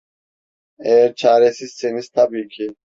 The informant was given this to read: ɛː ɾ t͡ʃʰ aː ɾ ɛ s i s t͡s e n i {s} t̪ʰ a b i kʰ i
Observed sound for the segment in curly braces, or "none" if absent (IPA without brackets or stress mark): s